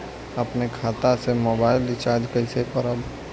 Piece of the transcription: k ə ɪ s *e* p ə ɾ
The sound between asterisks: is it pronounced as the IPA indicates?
yes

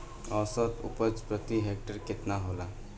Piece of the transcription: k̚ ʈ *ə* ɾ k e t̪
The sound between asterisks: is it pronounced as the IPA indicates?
yes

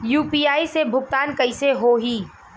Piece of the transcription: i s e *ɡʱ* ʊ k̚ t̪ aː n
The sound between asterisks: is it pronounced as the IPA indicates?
no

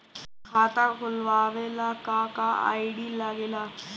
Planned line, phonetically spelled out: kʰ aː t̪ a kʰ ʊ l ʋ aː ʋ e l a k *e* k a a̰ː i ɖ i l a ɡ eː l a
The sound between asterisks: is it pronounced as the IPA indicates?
no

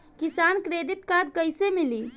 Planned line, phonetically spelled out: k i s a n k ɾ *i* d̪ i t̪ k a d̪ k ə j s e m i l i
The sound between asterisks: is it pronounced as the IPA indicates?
no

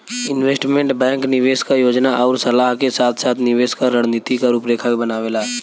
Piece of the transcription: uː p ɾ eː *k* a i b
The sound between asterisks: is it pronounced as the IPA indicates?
no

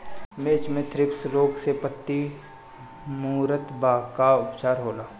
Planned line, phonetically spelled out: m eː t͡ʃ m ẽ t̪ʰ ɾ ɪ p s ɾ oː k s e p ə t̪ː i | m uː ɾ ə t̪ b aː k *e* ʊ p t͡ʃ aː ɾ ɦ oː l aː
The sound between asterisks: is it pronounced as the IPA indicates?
no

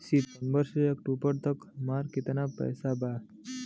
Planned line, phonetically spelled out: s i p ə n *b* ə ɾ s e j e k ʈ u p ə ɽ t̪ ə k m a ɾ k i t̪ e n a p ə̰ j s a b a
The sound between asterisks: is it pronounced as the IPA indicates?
yes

